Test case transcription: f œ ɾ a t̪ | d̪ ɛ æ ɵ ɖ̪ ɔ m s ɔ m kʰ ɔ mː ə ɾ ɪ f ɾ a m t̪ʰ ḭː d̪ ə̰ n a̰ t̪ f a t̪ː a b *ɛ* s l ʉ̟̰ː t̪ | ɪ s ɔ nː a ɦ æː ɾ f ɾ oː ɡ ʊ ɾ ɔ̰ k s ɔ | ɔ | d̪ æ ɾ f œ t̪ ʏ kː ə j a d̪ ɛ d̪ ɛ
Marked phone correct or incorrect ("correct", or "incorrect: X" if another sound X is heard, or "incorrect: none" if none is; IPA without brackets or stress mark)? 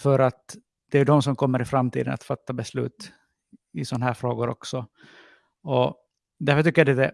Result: correct